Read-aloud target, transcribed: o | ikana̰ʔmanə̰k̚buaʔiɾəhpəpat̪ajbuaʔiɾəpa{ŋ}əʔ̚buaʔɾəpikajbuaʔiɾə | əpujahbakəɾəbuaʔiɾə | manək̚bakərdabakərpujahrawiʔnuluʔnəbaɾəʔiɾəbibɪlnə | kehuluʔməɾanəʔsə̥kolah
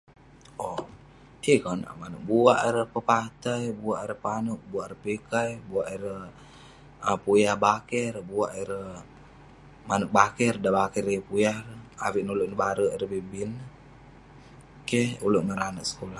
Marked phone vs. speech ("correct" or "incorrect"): incorrect